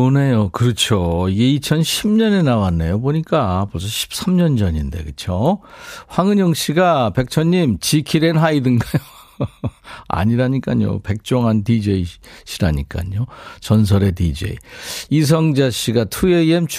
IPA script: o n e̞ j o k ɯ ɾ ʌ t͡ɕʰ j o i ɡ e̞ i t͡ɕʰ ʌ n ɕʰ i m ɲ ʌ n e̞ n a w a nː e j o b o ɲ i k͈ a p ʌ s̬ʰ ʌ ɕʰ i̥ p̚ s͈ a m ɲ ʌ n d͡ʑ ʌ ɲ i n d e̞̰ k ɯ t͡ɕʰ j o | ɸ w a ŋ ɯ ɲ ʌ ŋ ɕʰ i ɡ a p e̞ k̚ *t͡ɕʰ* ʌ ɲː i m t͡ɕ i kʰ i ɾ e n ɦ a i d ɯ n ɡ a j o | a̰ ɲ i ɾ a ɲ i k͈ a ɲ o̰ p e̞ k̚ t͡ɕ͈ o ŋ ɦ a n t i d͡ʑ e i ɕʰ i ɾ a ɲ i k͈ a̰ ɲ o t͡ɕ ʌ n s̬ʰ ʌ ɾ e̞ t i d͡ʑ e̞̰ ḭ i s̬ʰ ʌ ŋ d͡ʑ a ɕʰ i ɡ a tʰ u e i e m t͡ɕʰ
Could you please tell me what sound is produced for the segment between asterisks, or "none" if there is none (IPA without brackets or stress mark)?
t͡ɕʰ